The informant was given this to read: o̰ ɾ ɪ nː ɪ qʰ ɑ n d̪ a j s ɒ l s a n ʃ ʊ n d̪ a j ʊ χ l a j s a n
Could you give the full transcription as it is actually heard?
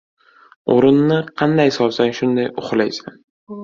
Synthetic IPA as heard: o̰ ɾ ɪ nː ɪ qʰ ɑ n d̪ a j s ɒ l s a n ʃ ʊ n d̪ a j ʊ χ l a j s a n